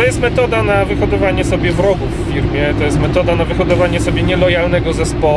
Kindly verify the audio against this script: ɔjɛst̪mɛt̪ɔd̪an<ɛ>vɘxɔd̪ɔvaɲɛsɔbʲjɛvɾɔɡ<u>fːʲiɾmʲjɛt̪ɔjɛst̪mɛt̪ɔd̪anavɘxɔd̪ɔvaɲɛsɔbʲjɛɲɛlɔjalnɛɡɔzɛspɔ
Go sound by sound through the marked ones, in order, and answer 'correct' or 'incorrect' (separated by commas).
incorrect, correct